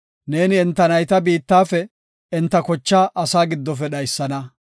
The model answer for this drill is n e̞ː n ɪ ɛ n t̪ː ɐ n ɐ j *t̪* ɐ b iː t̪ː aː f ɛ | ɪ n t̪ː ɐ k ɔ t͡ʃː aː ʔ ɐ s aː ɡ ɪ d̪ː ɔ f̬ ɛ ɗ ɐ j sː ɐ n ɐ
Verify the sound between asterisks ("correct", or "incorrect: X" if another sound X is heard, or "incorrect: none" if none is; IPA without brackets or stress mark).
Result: correct